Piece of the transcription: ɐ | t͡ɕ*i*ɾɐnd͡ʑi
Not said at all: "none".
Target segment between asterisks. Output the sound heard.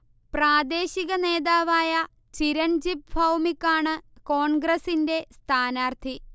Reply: i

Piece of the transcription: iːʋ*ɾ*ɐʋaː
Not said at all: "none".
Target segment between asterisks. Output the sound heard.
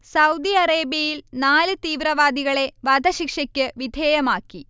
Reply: ɾ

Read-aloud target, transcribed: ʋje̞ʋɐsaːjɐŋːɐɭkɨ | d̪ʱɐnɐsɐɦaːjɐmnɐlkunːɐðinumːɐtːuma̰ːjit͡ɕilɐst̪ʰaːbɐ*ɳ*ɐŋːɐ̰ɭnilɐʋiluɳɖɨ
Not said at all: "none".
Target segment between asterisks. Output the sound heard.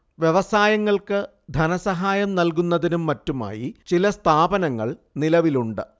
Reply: n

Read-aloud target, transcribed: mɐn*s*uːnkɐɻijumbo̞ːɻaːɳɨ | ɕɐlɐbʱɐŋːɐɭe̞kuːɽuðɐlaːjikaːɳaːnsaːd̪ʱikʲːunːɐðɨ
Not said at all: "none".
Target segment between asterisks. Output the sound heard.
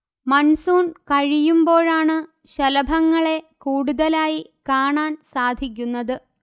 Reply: s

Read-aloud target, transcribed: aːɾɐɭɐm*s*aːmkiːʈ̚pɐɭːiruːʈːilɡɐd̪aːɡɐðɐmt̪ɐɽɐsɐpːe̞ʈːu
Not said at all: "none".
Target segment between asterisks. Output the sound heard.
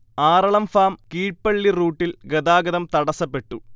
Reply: f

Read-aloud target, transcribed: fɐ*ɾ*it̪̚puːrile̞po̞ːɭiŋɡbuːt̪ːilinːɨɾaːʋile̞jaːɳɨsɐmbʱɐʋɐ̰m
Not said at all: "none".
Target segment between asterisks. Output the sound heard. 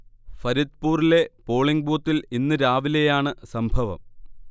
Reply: ɾ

